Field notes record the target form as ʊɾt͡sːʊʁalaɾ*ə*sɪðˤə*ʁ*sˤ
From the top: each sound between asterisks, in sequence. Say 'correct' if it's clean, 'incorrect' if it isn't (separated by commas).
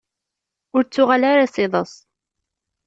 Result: incorrect, incorrect